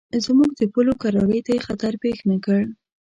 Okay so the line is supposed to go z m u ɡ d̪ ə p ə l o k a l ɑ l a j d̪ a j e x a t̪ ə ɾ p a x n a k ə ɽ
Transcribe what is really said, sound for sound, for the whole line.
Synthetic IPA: z m u ɡ d̪ ə p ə l o k a ɾ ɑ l ə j t̪ a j e x a t̪ a ɾ p e x n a k ə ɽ